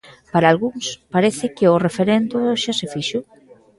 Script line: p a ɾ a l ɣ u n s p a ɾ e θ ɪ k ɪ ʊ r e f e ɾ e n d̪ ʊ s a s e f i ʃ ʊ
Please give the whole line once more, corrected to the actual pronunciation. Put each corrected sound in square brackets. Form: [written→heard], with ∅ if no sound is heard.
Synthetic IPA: p a ɾ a l ɣ u [n→ŋ] s p a ɾ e θ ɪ k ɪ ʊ r e f e ɾ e n d̪ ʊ [s→ʃ] a s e f i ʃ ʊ